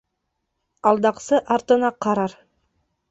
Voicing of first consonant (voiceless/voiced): voiced